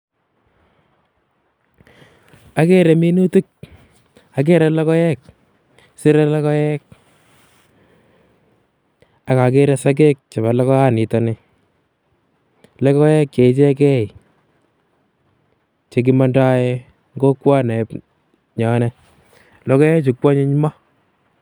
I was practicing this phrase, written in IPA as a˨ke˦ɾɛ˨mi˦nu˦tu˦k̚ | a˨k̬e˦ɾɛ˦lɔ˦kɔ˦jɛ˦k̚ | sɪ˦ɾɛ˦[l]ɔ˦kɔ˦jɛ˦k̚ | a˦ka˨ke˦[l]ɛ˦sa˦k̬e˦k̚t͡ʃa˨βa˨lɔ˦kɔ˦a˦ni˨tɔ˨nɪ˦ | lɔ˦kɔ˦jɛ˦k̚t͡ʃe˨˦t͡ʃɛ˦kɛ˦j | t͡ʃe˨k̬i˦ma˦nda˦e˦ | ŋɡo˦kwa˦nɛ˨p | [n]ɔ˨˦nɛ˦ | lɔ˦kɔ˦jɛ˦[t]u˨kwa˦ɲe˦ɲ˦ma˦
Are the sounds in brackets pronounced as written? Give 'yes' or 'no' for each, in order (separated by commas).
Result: yes, no, no, no